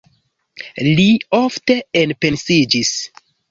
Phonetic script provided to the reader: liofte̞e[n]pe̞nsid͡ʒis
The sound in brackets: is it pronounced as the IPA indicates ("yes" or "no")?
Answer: yes